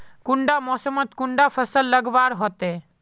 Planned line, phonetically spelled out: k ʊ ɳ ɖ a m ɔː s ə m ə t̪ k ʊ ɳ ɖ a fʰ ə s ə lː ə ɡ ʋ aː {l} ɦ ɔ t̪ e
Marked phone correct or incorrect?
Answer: incorrect